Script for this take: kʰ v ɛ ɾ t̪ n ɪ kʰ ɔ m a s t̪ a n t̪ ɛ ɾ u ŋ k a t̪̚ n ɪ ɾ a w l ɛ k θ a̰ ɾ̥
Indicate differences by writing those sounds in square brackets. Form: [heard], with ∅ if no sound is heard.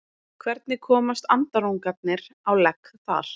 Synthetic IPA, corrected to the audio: kʰ v ɛ ɾ t̪ n ɪ kʰ [ɔː] m a s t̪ a n t̪ [a] ɾ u ŋ k a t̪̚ n ɪ ɾ a w l ɛ k θ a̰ ɾ̥